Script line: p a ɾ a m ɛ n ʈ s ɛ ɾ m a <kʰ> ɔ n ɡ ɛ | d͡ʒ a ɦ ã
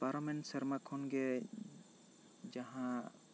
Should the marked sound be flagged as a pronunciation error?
no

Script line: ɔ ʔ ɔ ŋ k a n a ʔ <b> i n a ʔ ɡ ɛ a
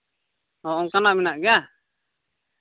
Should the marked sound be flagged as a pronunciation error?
yes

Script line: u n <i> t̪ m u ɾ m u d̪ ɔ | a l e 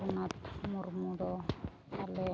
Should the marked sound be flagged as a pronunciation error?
yes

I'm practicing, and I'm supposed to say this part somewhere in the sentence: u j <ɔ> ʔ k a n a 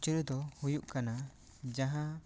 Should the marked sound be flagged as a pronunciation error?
yes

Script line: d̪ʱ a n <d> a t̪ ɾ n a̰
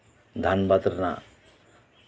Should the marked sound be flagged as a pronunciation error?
yes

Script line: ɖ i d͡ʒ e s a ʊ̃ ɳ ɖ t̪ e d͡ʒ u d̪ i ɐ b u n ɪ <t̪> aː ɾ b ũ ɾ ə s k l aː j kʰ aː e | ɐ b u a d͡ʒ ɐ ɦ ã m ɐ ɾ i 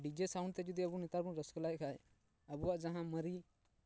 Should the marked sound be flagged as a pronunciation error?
no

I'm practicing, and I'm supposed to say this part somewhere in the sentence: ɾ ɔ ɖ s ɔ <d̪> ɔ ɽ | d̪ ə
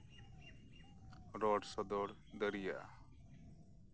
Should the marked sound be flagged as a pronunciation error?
no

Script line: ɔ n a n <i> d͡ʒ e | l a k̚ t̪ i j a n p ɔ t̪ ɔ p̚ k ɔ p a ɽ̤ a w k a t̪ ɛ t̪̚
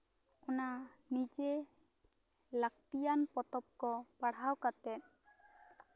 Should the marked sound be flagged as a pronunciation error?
no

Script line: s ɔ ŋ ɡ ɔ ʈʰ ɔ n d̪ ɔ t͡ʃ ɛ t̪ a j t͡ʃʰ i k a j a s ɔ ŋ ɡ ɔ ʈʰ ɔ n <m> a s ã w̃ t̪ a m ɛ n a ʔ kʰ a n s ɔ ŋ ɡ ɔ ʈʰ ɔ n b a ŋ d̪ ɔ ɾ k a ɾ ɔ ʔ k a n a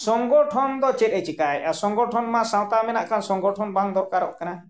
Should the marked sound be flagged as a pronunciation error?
no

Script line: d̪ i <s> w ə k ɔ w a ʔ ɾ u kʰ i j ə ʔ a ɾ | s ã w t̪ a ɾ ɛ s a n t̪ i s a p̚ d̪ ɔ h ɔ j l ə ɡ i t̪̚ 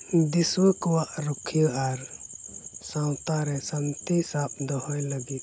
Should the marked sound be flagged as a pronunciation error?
no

